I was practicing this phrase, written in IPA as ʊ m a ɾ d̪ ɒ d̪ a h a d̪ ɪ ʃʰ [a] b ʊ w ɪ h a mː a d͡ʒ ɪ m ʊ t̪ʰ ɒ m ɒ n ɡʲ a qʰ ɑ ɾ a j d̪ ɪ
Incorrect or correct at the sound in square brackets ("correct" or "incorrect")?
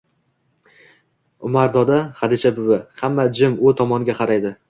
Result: correct